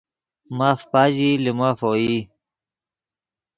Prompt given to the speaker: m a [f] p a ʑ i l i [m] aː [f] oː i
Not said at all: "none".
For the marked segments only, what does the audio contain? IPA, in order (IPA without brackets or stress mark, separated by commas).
f, m, f